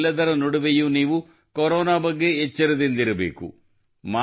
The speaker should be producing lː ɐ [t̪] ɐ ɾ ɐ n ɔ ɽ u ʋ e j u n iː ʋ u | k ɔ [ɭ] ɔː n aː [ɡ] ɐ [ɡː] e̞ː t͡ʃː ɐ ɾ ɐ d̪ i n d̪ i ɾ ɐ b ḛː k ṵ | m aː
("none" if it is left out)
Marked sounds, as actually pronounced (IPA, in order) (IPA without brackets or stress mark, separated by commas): d̪, ɾ, b, ɡː